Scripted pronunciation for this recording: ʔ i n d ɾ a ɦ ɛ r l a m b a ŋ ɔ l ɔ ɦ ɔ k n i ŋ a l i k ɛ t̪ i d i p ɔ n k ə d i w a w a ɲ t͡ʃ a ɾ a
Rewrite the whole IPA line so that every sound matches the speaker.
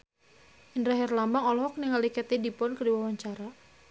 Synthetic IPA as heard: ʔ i n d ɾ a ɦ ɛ r l a m b a ŋ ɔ l ɔ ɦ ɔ k n i ŋ a l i k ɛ t̪ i d i p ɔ n k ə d i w a w a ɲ t͡ʃ a ɾ a